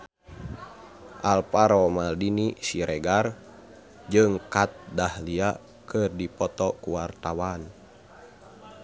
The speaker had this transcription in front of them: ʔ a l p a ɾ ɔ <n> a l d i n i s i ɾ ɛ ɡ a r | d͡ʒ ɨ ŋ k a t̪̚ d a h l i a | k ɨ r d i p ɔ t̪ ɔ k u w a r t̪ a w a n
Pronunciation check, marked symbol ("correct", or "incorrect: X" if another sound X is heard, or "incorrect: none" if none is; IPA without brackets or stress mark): incorrect: m